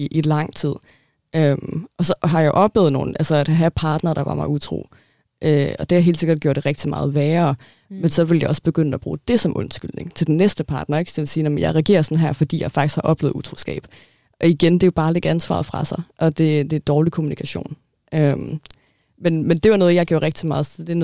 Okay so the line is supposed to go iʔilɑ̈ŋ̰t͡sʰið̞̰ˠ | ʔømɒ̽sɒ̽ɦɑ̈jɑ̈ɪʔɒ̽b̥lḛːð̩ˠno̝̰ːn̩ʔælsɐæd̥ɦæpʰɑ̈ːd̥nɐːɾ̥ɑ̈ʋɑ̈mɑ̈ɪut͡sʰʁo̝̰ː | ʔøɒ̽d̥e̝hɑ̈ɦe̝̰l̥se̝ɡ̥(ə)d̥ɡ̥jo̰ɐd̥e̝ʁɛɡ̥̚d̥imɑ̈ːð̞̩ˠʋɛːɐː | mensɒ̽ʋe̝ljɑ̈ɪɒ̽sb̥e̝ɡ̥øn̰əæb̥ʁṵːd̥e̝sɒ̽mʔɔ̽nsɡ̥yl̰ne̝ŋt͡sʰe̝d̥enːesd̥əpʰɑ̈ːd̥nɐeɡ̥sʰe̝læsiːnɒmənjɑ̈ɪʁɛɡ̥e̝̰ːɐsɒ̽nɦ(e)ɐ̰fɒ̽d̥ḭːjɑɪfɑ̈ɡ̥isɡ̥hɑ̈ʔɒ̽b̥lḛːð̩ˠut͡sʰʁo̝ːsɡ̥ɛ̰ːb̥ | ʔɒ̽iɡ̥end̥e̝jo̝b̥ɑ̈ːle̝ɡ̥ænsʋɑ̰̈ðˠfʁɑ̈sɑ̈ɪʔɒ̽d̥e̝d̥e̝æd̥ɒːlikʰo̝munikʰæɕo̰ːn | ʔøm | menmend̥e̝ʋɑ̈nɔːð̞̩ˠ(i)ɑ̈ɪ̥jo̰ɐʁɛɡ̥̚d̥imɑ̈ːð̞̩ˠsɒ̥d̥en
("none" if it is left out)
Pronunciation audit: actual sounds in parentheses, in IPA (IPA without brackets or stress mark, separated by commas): ɐ, æ, j